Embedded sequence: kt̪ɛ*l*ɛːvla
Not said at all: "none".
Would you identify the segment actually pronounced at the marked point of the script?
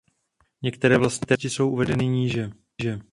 ɾ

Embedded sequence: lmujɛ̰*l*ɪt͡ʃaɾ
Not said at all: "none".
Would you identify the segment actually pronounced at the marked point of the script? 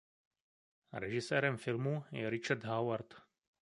ɾ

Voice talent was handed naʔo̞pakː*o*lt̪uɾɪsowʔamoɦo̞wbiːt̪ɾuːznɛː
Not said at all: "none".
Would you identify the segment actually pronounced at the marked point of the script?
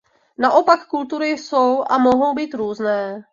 u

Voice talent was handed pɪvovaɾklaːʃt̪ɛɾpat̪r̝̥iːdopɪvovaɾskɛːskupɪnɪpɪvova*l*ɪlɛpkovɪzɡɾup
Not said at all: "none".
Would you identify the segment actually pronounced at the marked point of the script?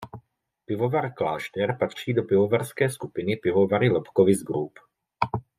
ɾ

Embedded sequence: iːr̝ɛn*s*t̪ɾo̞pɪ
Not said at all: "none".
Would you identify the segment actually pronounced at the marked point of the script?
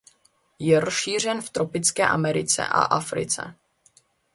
f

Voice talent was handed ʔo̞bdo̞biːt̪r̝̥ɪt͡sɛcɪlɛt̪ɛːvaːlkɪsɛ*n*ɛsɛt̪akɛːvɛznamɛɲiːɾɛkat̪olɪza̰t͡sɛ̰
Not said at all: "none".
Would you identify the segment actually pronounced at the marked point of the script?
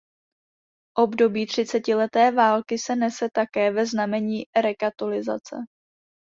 n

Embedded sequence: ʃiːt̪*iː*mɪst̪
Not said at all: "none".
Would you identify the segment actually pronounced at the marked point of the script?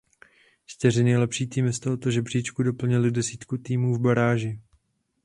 iː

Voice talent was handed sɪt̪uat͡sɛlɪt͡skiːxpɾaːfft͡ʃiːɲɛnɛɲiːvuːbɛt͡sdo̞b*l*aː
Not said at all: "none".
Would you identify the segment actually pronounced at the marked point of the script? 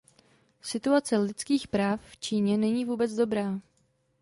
ɾ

